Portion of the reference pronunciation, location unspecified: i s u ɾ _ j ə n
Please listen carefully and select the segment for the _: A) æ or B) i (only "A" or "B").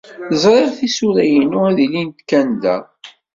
A